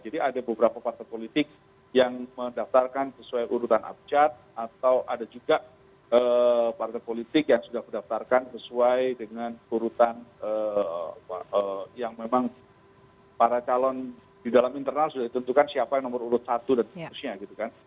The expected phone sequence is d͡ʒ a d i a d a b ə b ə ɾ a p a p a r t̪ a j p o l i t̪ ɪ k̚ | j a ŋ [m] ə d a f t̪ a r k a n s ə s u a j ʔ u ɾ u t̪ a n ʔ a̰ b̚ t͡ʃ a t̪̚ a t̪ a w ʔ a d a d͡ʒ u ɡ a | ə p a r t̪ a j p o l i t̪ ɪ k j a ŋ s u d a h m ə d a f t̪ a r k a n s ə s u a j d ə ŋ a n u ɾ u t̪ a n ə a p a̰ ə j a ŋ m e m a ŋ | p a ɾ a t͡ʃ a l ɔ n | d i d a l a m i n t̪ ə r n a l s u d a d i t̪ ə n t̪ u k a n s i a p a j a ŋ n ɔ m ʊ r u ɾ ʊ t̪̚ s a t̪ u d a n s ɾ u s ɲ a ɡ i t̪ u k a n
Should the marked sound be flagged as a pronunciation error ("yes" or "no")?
no